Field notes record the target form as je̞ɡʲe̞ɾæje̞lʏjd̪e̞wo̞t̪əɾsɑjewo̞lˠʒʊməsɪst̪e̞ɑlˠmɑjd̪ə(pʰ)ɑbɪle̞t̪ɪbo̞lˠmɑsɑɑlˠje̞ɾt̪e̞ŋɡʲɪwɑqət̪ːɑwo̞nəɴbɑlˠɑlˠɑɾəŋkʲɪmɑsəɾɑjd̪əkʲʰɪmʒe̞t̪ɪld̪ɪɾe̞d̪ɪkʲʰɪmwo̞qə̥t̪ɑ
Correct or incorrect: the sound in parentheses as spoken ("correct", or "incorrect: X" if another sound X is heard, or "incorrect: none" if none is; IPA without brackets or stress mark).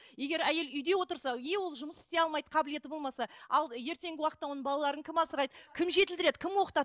incorrect: qʰ